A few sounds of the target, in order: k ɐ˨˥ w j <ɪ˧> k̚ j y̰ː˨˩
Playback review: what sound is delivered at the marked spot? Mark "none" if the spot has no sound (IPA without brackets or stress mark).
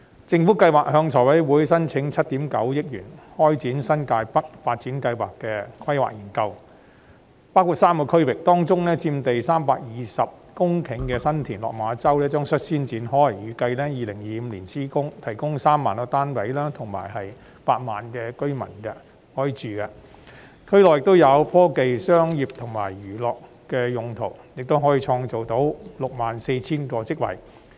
ɪ˥